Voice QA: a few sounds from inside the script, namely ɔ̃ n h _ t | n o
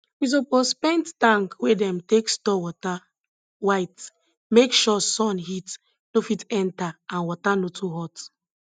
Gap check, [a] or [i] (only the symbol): i